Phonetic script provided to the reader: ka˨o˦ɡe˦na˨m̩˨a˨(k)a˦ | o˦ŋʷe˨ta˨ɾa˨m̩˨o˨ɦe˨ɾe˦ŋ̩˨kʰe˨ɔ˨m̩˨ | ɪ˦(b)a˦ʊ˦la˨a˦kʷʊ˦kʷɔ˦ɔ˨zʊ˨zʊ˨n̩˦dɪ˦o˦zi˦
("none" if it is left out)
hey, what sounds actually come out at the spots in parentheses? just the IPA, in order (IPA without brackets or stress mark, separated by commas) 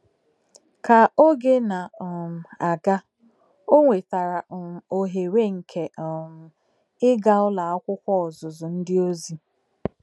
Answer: ɡ, ɡ